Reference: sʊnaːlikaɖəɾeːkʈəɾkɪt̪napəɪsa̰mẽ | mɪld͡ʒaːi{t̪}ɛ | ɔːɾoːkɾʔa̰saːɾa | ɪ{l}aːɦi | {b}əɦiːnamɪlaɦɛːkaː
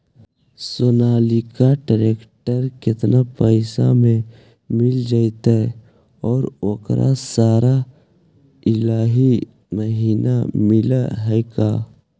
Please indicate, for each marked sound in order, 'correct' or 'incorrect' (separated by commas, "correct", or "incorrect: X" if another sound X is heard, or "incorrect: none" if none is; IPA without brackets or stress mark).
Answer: correct, correct, incorrect: m